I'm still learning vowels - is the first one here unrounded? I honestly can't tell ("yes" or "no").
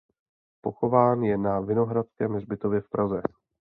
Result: no